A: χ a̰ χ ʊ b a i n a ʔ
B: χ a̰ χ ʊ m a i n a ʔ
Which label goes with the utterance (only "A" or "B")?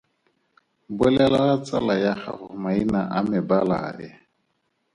B